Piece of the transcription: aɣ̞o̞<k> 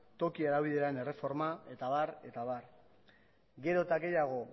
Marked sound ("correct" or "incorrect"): incorrect